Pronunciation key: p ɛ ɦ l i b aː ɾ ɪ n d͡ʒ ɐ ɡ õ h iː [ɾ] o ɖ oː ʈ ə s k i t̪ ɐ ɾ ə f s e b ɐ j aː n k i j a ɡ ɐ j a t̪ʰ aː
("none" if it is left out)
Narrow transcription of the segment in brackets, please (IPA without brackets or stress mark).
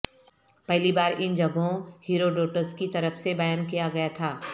ɾ